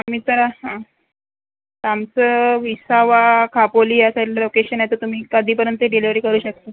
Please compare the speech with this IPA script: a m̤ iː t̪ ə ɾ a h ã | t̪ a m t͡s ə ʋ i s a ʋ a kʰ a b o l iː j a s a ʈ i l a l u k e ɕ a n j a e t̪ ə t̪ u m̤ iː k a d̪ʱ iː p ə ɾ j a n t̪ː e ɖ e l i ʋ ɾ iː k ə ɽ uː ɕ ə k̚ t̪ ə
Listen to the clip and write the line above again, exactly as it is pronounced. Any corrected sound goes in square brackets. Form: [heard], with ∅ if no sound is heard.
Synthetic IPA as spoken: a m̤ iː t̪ ə ɾ a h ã | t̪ a m t͡s ə ʋ i s a ʋ a kʰ a [p] o l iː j a s a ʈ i l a l [o] k e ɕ [ə] n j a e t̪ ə t̪ u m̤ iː k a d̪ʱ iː p ə ɾ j [ə] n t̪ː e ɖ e l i ʋ ɾ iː k ə [ɾ] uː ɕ ə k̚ t̪ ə